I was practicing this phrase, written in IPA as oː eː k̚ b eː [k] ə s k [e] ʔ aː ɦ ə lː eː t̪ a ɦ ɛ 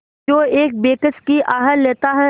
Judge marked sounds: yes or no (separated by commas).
yes, no